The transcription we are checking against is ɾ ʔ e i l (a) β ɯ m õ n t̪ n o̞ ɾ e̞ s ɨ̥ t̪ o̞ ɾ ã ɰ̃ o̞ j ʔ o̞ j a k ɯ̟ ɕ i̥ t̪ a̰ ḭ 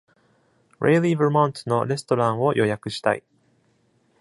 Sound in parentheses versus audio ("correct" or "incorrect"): incorrect